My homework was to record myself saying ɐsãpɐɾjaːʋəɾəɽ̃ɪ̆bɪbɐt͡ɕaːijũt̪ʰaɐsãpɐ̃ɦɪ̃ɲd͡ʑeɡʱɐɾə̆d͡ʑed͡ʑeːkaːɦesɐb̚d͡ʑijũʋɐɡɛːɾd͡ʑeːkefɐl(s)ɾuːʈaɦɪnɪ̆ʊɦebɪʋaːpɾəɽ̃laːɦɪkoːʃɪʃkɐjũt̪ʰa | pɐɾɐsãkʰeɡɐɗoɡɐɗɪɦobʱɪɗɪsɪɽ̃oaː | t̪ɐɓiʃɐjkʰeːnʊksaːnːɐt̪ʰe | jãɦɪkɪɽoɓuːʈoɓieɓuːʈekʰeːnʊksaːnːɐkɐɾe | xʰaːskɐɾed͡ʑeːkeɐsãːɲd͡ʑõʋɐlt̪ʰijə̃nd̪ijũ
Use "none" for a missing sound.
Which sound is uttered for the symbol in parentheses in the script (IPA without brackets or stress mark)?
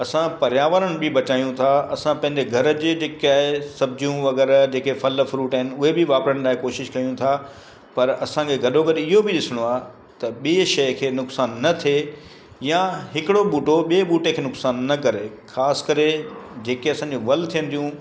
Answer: f